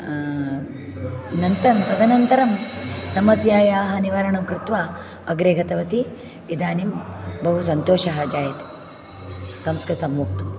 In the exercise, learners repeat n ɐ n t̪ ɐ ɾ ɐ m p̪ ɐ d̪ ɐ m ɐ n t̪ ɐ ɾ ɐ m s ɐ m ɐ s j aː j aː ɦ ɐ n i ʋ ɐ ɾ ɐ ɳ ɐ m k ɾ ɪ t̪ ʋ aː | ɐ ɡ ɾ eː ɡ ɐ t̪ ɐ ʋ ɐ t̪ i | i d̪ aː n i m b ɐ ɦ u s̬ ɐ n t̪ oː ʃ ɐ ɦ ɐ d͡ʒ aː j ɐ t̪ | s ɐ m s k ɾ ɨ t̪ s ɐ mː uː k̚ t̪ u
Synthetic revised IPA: n ɐ n t̪ ɐ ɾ ɐ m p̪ ɐ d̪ ɐ n ɐ n t̪ ɐ ɾ ɐ m s ɐ m ɐ s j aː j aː ɦ ɐ n i ʋ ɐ ɾ ɐ ɳ ɐ m k ɾ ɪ t̪ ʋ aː | ɐ ɡ ɾ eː ɡ ɐ t̪ ɐ ʋ ɐ t̪ i | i d̪ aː n i m b ɐ ɦ u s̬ ɐ n t̪ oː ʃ ɐ ɦ ɐ d͡ʒ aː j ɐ t̪ | s ɐ m s k ɾ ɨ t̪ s ɐ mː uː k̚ t̪ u